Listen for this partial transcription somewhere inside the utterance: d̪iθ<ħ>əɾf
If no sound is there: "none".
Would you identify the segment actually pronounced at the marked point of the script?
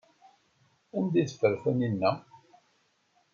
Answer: f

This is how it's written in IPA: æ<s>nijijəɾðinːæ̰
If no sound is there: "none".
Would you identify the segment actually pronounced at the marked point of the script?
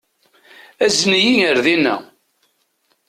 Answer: z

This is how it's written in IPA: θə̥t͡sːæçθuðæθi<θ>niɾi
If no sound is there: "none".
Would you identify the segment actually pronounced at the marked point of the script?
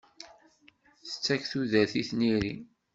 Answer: θ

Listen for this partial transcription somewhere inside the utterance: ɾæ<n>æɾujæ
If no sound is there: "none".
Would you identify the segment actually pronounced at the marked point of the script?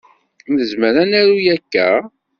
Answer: n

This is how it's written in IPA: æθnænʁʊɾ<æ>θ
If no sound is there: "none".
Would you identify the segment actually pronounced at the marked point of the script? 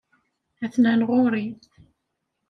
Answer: i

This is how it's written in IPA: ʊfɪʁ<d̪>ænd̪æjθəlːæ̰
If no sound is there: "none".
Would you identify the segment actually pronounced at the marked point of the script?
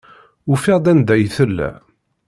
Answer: d̪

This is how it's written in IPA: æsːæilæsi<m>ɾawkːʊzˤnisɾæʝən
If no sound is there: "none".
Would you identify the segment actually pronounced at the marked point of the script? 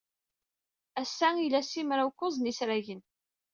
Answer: m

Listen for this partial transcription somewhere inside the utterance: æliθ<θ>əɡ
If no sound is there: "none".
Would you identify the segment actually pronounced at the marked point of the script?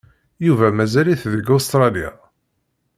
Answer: ð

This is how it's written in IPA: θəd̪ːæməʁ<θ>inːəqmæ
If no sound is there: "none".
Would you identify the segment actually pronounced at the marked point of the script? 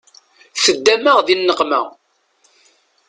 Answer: ð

